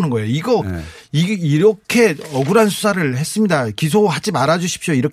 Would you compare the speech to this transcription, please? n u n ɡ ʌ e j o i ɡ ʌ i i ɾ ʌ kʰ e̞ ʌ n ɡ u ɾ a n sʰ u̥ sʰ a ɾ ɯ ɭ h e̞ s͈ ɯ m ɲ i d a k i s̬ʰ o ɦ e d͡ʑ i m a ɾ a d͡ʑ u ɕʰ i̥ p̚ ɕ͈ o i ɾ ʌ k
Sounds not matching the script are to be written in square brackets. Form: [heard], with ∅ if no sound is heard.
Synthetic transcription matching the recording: n [ɯ] n ɡ ʌ e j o i ɡ ʌ i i ɾ ʌ kʰ e̞ ʌ [∅] ɡ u ɾ a n sʰ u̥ sʰ a ɾ ɯ ɭ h e̞ s͈ ɯ m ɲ i d a k i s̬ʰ o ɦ [a] d͡ʑ i m a ɾ a d͡ʑ u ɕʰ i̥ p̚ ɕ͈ o i ɾ ʌ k